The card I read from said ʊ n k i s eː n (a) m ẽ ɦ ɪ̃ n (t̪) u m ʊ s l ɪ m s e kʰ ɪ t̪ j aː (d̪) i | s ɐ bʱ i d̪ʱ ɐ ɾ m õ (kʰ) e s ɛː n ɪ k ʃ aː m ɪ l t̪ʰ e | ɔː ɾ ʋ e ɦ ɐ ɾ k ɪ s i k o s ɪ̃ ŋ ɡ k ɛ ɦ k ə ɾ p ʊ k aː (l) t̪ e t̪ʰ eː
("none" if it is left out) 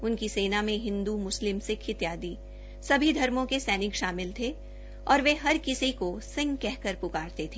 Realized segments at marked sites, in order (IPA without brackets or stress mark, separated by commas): a, d̪, d̪, k, ɾ